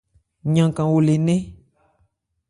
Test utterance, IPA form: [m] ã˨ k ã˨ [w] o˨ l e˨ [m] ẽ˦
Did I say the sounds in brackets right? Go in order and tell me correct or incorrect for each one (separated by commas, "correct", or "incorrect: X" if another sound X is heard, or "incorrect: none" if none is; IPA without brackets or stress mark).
incorrect: ɲ, correct, incorrect: n